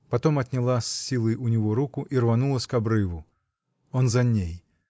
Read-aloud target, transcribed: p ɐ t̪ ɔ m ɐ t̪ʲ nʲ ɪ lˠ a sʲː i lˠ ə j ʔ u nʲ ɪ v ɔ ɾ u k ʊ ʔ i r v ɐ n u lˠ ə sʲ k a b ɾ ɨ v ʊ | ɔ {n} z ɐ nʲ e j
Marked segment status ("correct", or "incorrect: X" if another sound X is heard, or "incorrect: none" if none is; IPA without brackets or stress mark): correct